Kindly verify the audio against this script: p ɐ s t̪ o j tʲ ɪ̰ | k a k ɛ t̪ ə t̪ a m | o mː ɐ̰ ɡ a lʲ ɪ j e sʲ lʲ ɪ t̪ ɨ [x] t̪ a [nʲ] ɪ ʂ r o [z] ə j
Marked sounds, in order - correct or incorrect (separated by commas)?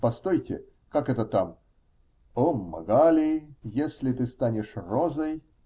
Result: incorrect, correct, correct